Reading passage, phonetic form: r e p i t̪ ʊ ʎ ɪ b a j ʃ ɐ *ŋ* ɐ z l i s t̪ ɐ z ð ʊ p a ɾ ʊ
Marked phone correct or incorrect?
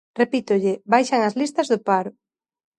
correct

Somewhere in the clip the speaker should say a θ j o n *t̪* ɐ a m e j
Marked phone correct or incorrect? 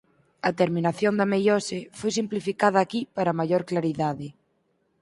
incorrect: d̪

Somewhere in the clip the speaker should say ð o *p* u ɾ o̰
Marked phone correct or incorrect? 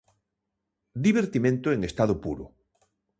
correct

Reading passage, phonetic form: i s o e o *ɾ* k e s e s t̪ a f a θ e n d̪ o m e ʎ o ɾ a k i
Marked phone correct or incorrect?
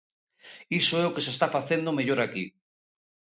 incorrect: none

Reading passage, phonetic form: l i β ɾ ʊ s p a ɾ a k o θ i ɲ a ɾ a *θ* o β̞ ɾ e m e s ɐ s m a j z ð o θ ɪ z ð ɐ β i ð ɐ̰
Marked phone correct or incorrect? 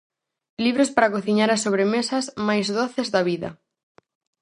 incorrect: s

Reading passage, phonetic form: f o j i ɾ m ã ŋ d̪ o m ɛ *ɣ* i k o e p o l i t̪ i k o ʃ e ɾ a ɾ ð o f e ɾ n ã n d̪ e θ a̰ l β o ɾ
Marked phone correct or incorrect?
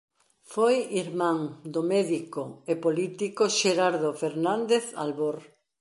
incorrect: ð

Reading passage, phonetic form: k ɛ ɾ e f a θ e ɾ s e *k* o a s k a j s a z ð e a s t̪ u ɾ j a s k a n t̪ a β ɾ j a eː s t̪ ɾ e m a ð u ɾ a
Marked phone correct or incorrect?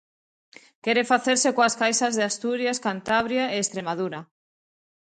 correct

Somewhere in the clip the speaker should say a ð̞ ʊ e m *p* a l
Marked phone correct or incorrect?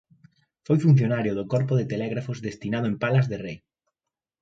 correct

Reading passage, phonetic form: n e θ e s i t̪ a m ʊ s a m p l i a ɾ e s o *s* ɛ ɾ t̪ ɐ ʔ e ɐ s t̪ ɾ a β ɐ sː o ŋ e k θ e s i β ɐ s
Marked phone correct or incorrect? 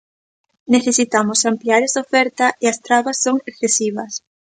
incorrect: f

